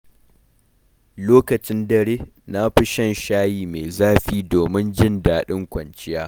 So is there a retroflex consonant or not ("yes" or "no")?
no